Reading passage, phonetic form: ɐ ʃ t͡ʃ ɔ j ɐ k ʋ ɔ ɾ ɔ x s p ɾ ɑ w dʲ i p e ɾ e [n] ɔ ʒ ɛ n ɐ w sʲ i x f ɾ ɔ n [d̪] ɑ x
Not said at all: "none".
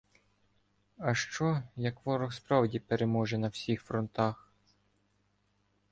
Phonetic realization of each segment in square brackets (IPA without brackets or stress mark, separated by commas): m, t̪